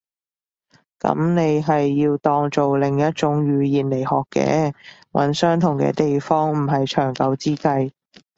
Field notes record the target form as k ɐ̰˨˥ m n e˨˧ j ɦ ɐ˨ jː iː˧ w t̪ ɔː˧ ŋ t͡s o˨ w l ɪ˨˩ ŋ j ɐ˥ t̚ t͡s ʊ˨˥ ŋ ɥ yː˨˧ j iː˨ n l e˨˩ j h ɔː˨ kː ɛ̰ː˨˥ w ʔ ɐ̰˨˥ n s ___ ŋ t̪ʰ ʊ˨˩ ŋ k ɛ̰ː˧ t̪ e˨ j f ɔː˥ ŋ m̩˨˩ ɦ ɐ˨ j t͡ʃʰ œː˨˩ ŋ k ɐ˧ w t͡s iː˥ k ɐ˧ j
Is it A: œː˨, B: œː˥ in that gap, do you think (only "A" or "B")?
B